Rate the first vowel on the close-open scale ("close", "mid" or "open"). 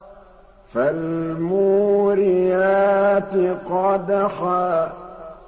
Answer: open